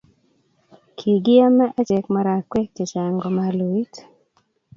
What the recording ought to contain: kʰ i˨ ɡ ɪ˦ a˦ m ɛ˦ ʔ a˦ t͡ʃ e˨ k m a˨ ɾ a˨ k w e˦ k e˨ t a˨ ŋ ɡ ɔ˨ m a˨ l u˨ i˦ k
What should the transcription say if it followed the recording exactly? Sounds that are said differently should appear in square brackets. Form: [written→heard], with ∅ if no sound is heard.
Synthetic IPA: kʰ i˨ ɡ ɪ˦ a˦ m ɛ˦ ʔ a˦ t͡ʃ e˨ k m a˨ ɾ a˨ k w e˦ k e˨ [t→t͡ʃ] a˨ ŋ ɡ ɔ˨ m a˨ l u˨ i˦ [k→t]